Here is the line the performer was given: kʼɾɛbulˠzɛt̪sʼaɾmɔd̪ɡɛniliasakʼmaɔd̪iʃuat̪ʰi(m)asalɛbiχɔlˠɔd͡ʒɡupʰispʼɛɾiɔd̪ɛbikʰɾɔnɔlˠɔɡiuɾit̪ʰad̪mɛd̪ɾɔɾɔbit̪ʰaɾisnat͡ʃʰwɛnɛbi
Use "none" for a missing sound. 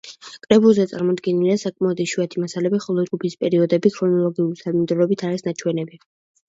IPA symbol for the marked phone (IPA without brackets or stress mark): m